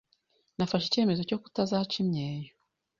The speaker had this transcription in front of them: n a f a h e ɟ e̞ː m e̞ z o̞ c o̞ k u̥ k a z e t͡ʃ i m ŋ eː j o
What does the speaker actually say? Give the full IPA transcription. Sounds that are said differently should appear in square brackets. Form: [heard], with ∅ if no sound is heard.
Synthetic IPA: n a f a [ʃ] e [c] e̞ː m e̞ z o̞ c o̞ k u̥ [t] a z [a] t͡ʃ i m [ɲ] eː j o